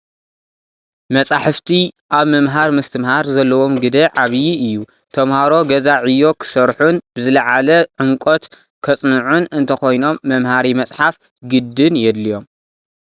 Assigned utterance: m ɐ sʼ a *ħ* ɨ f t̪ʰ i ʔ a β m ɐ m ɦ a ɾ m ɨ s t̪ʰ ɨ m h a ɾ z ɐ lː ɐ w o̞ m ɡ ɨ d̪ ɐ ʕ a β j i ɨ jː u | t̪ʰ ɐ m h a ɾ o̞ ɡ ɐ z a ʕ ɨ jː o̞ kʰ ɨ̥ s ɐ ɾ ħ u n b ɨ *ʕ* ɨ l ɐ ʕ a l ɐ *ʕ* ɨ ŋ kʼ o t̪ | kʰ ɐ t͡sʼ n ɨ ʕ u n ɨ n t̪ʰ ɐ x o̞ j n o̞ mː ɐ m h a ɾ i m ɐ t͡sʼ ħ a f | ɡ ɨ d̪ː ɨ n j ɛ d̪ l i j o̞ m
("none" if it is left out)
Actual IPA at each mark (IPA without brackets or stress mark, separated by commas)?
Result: ħ, z, ʕ